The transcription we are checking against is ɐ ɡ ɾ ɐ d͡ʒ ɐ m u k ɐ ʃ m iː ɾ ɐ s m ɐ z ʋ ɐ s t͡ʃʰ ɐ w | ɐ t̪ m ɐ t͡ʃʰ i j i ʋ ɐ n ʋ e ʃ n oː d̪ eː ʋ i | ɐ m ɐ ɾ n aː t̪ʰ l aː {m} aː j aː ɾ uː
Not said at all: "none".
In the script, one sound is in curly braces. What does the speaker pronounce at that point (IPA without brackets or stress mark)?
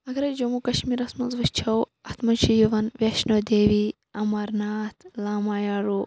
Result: m